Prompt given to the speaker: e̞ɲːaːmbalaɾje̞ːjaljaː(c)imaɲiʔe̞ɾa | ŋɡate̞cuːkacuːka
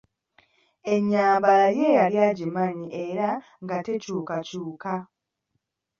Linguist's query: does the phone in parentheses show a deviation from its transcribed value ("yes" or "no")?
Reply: yes